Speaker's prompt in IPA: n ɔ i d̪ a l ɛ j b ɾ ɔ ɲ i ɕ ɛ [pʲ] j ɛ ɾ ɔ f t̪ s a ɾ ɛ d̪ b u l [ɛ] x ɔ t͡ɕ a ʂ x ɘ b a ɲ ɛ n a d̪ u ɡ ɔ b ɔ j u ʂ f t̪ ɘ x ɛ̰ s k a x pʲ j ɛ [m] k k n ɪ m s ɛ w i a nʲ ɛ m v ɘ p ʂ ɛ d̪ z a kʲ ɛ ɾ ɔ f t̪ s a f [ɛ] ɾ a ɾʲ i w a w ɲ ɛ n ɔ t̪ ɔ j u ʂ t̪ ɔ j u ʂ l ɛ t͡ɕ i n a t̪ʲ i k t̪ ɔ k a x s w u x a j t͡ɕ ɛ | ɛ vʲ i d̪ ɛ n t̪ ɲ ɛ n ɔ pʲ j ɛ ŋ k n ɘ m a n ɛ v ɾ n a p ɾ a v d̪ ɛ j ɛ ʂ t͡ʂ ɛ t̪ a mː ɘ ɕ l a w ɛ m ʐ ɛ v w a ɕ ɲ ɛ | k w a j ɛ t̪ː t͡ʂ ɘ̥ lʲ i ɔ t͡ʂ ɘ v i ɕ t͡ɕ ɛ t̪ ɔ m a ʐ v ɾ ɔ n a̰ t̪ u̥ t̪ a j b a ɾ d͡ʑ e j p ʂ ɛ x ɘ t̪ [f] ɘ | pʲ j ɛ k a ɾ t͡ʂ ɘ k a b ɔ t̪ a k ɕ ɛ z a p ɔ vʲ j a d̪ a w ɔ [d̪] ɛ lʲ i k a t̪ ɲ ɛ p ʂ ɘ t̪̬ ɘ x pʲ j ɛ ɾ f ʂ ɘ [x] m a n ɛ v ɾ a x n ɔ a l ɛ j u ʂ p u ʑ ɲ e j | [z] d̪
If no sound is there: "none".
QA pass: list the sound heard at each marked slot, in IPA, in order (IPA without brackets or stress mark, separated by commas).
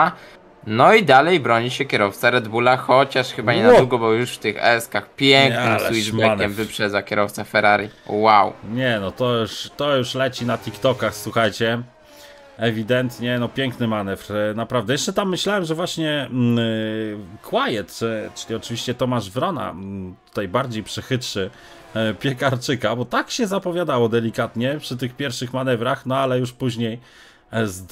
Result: kʲ, a, ŋ, ɛ, ʂ, d̪, x, z